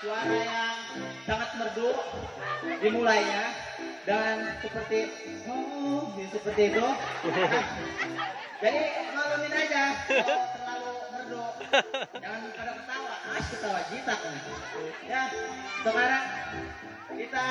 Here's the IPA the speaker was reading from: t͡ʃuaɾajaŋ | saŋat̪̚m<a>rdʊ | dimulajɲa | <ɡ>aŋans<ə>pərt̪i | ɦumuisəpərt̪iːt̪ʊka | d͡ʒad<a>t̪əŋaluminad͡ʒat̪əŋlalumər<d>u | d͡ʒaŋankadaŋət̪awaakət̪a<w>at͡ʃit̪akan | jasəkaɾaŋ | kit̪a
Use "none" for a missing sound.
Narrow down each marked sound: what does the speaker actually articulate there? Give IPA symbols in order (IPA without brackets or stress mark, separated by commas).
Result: ə, d, ə, i, d, w